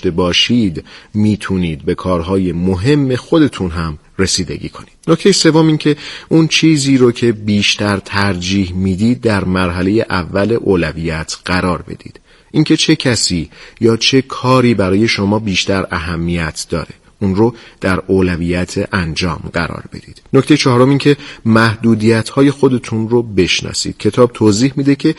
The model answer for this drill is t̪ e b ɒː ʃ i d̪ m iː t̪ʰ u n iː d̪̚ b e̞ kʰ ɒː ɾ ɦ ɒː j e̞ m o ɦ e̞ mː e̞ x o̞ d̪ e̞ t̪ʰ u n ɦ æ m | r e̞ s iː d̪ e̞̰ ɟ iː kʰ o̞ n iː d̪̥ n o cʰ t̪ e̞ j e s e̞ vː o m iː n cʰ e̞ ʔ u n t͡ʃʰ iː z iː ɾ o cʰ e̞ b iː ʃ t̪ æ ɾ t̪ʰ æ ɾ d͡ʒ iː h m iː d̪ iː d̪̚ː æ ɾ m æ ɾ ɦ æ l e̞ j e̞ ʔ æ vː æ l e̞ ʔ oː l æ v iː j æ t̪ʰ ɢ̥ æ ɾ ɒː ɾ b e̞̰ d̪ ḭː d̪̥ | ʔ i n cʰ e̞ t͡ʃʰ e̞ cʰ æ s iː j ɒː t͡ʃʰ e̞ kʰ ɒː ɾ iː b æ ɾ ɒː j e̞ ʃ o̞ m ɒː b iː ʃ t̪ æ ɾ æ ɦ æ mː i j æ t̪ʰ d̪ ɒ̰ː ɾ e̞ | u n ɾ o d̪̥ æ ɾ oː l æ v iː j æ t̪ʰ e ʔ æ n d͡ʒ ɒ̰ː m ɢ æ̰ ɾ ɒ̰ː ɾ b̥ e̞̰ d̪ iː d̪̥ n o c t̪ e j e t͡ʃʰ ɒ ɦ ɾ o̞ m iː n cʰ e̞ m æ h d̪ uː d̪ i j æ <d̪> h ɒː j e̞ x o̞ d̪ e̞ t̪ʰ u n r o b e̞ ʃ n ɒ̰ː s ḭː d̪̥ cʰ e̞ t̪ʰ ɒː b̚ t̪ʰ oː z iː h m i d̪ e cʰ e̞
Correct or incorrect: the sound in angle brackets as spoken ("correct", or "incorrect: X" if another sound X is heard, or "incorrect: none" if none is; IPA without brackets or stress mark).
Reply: incorrect: t̪